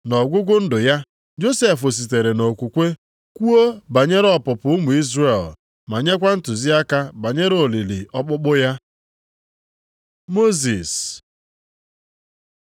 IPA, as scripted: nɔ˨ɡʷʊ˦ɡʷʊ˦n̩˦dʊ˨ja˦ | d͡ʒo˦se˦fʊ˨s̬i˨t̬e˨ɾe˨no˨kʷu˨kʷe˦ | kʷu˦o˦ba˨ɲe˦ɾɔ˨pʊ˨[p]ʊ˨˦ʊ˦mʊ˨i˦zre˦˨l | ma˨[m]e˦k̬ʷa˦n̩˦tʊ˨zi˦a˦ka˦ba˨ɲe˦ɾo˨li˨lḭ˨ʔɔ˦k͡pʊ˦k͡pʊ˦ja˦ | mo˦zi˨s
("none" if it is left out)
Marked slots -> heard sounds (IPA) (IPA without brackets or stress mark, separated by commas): p, ɲ